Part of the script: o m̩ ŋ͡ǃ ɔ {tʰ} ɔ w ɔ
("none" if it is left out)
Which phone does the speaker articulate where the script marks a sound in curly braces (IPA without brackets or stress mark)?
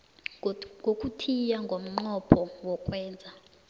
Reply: pʰ